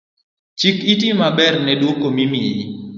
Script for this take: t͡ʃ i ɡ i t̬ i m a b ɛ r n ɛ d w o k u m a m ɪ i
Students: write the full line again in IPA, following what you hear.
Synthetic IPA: t͡ʃ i k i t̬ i m a b ɛ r n ɛ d w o k o m i m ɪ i